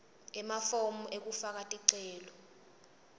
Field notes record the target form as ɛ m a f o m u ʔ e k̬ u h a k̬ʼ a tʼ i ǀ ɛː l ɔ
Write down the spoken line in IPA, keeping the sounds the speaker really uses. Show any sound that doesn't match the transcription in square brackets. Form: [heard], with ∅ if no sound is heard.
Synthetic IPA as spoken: ɛ m a f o m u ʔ e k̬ u [f] a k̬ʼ a tʼ i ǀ ɛː l ɔ